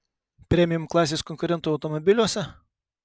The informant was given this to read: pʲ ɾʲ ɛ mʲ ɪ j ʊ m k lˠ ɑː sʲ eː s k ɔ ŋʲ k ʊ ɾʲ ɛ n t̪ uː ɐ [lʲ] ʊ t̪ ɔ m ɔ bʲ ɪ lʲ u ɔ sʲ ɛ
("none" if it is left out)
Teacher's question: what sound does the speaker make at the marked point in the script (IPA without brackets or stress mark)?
none